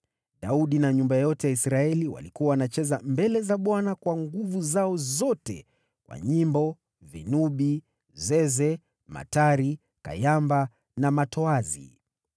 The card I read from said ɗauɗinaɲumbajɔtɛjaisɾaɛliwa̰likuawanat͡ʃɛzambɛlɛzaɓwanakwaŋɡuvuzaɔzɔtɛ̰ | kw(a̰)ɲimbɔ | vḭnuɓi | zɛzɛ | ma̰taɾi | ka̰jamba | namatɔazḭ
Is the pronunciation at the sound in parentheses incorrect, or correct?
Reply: correct